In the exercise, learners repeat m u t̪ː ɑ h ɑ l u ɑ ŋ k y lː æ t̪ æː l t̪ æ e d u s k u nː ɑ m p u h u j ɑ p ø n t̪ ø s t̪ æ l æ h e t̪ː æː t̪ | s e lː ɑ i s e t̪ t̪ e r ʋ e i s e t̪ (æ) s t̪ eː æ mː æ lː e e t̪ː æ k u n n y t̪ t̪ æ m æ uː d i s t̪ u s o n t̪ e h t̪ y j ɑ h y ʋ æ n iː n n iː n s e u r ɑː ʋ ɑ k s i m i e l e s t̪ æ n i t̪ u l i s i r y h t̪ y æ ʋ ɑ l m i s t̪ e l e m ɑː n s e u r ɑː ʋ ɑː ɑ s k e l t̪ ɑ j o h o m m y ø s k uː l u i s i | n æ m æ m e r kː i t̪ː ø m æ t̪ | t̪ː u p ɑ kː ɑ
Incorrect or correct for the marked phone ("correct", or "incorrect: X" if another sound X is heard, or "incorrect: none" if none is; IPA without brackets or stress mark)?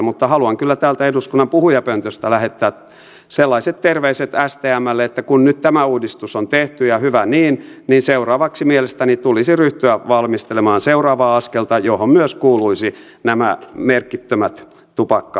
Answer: correct